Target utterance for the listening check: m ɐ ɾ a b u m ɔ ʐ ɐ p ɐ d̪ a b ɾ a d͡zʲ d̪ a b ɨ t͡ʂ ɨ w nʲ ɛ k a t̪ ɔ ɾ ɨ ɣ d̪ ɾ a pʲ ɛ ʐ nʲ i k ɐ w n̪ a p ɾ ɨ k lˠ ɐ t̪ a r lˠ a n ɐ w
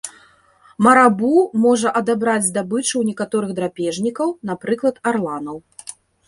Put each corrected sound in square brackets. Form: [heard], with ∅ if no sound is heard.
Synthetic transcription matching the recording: m ɐ ɾ a b u m ɔ ʐ ɐ [ʔ] ɐ d̪ a b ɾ a d͡zʲ d̪ a b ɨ t͡ʂ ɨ w nʲ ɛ k a t̪ ɔ ɾ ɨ ɣ d̪ ɾ a pʲ ɛ ʐ nʲ i k ɐ w n̪ a p ɾ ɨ k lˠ ɐ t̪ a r lˠ a n ɐ w

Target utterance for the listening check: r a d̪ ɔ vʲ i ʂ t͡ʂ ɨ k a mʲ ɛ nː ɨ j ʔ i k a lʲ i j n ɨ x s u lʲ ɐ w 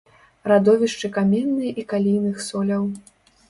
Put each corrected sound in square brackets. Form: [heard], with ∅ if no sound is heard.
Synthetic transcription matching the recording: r a d̪ ɔ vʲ i ʂ t͡ʂ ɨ k a mʲ ɛ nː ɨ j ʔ i k a lʲ i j n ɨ x s [ɔ] lʲ ɐ w

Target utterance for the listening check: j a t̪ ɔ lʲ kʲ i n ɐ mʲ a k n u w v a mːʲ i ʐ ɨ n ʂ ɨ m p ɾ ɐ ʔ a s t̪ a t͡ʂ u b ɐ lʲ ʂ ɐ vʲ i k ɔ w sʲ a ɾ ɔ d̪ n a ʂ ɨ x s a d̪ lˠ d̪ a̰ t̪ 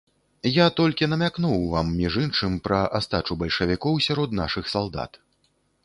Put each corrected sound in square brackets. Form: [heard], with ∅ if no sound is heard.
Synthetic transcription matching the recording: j a t̪ ɔ lʲ kʲ i n ɐ mʲ a k n u w v a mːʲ i ʐ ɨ n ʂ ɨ m p ɾ ɐ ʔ a s t̪ a t͡ʂ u b ɐ lʲ ʂ ɐ vʲ i k ɔ w sʲ a ɾ ɔ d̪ n a ʂ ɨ x s a [∅] lˠ d̪ a̰ t̪

